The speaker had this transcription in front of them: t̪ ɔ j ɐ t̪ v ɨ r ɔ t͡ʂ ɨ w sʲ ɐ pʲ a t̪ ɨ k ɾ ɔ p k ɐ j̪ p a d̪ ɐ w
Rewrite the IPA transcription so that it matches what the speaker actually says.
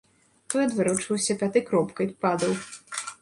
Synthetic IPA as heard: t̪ ɔ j ɐ d̪ v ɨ ɾ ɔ t͡ʂ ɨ w sʲ ɐ pʲ a t̪ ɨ k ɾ ɔ p k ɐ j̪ p a d̪ ɐ w